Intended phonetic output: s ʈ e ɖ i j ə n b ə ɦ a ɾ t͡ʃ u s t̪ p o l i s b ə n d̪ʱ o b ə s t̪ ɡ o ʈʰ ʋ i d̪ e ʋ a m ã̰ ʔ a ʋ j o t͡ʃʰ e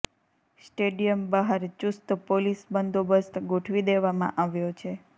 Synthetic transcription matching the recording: s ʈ e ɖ i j ə m b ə ɦ a ɾ t͡ʃ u s t̪ p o l i s b ə n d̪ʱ o b ə s t̪ ɡ o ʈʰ ʋ i d̪ e ʋ a m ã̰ ʔ a ʋ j o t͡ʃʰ e